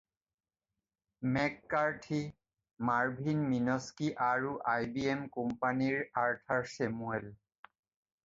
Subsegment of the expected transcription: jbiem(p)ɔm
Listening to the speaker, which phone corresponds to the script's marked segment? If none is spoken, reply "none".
k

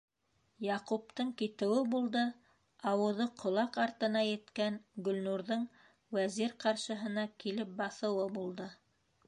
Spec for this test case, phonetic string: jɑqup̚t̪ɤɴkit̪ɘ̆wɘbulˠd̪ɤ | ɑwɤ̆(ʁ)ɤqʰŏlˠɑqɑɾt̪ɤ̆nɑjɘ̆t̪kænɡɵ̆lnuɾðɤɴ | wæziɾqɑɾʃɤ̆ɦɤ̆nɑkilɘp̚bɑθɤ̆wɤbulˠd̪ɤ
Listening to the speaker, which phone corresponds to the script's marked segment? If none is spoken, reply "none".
ð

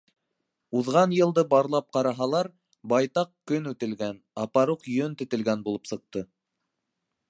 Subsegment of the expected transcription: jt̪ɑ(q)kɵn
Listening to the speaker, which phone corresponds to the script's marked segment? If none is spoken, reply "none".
q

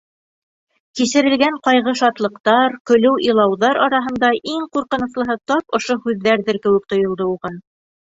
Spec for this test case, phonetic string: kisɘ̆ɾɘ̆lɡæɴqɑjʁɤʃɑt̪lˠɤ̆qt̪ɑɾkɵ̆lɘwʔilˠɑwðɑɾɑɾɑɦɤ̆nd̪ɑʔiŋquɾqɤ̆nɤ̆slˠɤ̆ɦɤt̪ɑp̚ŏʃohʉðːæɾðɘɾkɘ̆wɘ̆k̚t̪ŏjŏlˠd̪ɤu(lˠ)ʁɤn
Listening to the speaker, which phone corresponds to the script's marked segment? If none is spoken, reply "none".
none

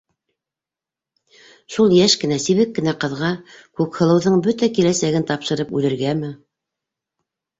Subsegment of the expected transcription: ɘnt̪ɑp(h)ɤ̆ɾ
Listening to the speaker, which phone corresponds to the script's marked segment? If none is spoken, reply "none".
ʃ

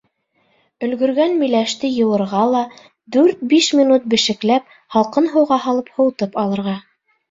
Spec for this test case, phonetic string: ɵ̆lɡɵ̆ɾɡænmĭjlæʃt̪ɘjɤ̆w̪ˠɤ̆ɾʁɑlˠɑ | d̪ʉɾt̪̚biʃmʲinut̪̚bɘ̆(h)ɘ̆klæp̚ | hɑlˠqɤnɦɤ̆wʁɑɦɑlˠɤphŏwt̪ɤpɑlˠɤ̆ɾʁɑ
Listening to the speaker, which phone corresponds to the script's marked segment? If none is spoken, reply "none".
ʃ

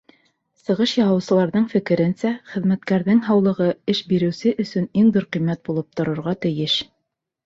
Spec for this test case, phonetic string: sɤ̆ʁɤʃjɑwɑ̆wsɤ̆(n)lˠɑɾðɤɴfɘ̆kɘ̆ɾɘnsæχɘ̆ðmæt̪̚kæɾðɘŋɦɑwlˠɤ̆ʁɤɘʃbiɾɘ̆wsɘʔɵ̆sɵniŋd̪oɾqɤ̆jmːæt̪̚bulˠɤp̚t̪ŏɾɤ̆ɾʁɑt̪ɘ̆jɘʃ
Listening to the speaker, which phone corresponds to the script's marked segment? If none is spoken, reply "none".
none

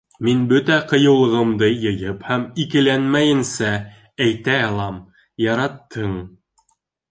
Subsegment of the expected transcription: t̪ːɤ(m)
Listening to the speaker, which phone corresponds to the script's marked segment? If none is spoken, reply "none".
ɴ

